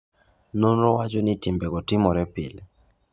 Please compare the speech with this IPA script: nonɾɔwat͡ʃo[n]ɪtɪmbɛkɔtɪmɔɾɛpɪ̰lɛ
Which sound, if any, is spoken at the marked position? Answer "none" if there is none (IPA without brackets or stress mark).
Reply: n